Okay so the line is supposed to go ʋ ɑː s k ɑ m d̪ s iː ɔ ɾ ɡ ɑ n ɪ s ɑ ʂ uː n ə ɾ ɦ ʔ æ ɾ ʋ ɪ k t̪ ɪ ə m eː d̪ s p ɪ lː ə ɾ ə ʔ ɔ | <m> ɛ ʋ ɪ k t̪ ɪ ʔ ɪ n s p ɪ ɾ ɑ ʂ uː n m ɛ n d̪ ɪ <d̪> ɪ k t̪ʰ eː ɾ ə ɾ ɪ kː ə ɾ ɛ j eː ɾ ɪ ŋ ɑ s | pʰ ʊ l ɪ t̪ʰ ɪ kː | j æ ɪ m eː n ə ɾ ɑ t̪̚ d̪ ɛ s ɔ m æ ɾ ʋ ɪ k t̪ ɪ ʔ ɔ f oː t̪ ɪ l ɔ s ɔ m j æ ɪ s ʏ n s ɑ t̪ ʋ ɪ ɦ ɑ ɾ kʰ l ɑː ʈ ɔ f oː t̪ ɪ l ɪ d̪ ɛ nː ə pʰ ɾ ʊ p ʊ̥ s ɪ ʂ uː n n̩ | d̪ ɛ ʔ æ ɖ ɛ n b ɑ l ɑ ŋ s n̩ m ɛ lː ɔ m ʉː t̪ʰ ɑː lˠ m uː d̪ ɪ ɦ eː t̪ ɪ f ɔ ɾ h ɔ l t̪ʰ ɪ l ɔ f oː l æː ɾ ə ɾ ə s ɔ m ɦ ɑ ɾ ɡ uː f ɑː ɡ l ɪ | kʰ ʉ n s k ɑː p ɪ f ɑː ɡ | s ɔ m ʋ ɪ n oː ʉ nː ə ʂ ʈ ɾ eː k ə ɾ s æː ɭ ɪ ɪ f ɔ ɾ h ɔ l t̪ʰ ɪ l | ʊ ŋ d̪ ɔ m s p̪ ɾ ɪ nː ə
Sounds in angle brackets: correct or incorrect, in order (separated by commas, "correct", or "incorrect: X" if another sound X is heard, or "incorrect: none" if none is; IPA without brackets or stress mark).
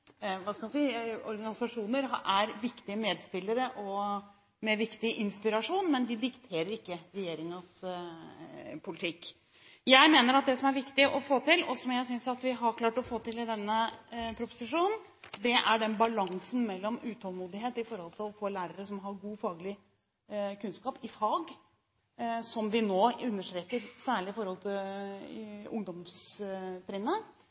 correct, correct